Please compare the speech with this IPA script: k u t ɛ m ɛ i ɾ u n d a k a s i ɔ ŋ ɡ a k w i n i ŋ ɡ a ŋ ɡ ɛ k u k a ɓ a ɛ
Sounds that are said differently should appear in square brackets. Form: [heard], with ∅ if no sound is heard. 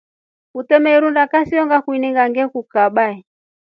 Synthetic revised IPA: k u t ɛ m ɛ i ɾ u n d a k a s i ɔ ŋ ɡ a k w i n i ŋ ɡ a ŋ ɡ ɛ k u k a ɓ a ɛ